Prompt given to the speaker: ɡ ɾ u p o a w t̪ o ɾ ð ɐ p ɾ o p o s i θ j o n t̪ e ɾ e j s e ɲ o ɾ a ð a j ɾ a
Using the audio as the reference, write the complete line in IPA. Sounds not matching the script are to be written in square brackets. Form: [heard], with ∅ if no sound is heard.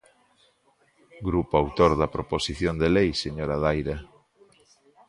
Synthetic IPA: ɡ ɾ u p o a w t̪ o ɾ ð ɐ p ɾ o p o s i θ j o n [d̪] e [l] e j s e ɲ o ɾ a ð a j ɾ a